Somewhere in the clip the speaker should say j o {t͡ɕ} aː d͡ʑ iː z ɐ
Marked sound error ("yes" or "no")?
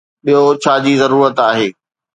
yes